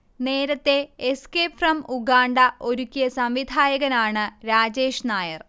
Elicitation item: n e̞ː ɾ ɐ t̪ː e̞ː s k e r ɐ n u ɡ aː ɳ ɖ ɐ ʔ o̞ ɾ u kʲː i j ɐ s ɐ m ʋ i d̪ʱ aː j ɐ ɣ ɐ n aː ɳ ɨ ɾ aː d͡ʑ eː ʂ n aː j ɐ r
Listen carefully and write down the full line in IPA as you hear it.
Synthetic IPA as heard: n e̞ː ɾ ɐ t̪ː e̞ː s k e r ɐ m u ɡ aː ɳ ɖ ɐ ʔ o̞ ɾ u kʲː i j ɐ s ɐ m ʋ i d̪ʱ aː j ɐ ɣ ɐ n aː ɳ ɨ ɾ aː d͡ʑ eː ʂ n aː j ɐ r